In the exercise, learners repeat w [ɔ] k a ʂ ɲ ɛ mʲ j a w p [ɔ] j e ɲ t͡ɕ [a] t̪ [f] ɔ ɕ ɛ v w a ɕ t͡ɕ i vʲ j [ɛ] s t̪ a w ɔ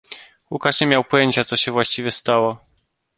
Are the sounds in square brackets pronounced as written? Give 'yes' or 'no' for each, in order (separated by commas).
no, yes, yes, no, yes